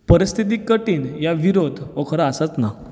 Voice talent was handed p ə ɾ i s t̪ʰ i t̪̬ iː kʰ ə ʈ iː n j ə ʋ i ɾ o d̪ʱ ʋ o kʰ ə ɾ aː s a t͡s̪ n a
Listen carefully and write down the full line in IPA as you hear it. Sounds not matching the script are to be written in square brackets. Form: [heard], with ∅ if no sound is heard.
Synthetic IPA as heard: p ə ɾ i s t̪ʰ i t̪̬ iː [k] ə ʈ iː n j [a] ʋ i ɾ o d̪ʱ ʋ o kʰ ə ɾ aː s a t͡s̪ n a